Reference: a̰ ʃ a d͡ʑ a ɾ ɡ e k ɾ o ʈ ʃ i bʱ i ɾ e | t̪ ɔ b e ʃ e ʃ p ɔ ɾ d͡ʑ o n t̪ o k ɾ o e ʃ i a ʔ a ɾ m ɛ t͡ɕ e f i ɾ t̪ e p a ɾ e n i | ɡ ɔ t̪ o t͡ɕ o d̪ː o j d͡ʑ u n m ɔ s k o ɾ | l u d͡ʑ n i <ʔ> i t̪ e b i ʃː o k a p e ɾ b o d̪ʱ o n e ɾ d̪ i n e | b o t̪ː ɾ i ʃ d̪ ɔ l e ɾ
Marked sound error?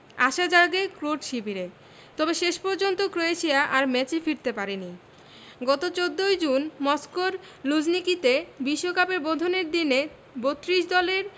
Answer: yes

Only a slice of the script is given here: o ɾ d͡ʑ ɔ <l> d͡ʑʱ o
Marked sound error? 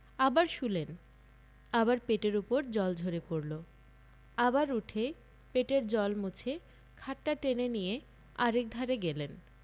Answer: no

